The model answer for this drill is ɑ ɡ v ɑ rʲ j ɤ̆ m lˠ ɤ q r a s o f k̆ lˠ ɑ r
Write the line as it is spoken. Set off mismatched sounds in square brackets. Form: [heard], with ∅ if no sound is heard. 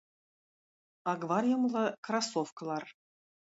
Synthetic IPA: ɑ ɡ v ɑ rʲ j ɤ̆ m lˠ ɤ [k] r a s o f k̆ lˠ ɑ r